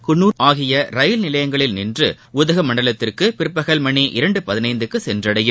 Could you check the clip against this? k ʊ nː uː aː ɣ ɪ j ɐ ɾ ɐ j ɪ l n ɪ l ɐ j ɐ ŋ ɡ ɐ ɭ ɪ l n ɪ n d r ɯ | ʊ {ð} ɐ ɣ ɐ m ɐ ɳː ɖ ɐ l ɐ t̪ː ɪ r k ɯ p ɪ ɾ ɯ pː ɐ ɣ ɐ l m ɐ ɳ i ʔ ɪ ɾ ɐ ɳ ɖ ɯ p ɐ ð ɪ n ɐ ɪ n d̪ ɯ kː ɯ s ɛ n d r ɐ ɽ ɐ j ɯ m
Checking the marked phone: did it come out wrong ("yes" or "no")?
no